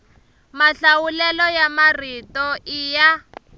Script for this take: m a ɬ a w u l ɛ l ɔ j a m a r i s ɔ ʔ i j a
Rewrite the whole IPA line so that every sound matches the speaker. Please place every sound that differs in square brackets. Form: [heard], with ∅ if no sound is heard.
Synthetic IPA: m a ɬ a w u l ɛ l ɔ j a m a r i [t] ɔ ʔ i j a